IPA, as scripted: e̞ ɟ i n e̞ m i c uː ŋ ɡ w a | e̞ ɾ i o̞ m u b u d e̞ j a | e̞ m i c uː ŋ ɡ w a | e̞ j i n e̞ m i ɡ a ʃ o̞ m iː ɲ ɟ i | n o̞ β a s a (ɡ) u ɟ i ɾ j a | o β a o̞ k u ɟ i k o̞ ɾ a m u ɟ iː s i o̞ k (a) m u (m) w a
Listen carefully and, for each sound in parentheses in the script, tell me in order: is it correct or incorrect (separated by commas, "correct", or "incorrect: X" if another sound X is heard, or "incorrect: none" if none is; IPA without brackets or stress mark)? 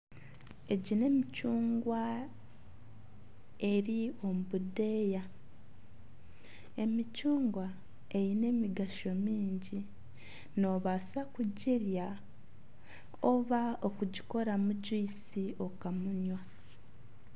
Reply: incorrect: k, correct, incorrect: ɲ